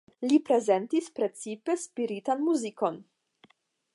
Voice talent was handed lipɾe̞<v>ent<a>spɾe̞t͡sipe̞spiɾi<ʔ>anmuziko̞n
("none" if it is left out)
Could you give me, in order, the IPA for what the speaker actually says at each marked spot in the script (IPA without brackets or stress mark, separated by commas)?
z, i, t